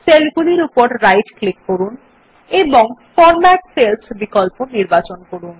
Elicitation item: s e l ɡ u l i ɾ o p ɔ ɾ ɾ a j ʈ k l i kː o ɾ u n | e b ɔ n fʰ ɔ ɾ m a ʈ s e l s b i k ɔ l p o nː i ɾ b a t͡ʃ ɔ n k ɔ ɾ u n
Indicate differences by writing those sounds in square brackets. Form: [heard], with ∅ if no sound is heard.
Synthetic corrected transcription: s e l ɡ u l i ɾ [u] p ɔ ɾ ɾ a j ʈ k l i kː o ɾ u n | e b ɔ [ŋ] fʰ ɔ ɾ m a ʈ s e l s b i k ɔ l p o [n] i ɾ b a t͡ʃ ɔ n k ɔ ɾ u n